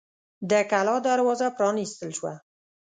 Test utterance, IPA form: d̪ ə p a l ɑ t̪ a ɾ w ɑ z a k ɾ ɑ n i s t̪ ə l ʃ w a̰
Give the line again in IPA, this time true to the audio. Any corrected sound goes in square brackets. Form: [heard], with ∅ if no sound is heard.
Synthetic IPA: d̪ ə [k] a l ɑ [d̪] a ɾ w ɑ z a [p] ɾ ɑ n i s t̪ ə l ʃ w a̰